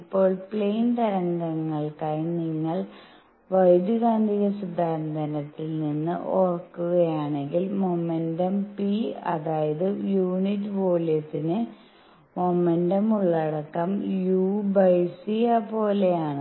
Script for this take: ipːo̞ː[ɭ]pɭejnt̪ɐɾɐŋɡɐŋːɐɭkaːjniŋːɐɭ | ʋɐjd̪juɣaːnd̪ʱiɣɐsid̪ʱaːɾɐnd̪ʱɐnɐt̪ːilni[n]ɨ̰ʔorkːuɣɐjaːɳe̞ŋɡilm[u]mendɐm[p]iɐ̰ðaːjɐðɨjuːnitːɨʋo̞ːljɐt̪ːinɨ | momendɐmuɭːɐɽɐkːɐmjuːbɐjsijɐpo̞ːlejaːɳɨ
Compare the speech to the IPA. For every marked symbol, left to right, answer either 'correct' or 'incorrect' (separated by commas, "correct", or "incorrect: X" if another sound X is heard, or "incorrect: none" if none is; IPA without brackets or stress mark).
correct, incorrect: nː, incorrect: o, correct